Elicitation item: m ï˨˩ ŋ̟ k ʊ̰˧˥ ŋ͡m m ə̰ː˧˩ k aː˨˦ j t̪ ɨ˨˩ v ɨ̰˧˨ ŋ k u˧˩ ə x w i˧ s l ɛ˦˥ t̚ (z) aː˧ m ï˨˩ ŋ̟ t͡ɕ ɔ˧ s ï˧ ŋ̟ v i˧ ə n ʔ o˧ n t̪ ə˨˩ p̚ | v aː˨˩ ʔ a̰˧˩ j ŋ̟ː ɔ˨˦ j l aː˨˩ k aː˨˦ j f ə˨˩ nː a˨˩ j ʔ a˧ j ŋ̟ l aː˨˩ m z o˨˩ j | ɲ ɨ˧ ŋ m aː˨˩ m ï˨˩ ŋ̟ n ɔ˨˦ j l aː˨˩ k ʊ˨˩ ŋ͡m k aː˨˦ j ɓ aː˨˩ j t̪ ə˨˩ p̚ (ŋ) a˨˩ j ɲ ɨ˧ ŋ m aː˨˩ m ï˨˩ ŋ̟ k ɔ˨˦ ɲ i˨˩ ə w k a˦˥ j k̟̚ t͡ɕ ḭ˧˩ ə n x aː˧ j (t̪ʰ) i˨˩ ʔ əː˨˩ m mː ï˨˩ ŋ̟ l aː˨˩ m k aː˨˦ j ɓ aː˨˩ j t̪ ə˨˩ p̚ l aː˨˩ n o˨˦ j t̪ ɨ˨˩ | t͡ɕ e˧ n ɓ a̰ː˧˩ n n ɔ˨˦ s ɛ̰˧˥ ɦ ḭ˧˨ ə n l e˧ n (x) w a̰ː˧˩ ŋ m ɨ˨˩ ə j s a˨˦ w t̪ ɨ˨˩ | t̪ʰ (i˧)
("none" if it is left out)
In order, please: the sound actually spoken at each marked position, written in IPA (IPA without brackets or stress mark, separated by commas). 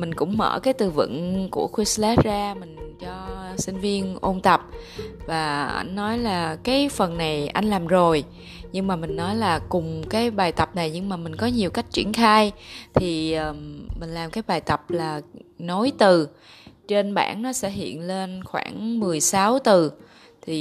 z, n, t̪ʰ, x, i˨˩